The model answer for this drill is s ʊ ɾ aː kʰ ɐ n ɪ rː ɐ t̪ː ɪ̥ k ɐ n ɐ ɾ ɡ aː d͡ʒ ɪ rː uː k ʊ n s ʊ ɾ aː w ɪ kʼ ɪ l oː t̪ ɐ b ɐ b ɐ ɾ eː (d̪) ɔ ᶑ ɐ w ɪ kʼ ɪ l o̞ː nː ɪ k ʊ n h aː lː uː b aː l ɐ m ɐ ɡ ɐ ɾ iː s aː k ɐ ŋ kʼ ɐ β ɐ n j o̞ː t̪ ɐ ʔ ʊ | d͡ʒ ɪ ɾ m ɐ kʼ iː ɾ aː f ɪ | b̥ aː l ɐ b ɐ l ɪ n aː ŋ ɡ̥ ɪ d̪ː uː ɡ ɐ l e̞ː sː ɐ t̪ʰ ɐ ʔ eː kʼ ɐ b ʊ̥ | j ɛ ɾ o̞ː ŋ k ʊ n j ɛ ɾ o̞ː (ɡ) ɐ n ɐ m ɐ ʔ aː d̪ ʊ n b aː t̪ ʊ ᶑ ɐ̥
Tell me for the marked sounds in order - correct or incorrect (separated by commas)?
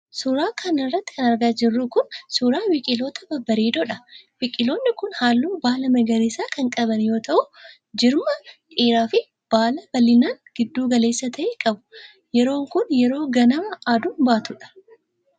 correct, correct